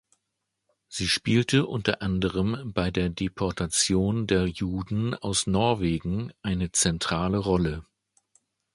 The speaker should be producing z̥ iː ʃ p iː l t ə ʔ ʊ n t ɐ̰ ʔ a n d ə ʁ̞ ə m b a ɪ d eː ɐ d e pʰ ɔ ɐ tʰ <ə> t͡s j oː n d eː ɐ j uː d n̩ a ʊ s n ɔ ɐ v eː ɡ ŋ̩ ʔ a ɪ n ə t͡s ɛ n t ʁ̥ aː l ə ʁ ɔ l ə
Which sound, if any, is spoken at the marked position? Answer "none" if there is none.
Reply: a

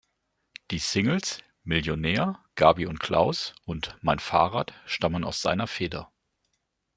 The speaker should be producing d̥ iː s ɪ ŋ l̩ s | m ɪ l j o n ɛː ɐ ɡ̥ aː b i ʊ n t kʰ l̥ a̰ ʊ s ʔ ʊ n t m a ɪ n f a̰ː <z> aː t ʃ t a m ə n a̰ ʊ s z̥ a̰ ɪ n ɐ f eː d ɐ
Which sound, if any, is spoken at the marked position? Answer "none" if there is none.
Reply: ʁ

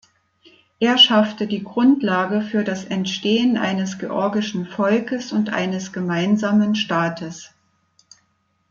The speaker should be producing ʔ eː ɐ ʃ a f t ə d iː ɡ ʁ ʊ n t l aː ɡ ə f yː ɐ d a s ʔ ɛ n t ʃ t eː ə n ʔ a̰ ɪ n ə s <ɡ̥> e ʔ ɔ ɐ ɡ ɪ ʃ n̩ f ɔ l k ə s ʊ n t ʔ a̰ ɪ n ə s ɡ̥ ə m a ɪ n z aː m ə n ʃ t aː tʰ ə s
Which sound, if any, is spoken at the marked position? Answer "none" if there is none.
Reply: ɡ̥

